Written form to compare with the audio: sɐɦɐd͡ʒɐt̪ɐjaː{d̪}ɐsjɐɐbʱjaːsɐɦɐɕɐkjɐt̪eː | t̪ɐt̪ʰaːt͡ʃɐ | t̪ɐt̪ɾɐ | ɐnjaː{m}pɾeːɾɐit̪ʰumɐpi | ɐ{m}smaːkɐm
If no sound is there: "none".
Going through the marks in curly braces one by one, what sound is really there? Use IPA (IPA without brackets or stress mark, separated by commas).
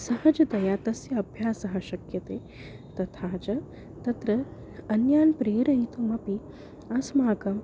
t̪, n, none